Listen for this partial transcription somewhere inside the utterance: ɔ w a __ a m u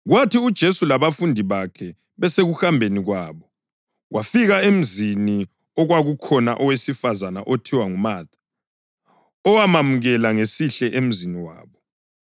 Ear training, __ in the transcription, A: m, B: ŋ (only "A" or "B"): A